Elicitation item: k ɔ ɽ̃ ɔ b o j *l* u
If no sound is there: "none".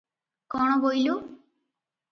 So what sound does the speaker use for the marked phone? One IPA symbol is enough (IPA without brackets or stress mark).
l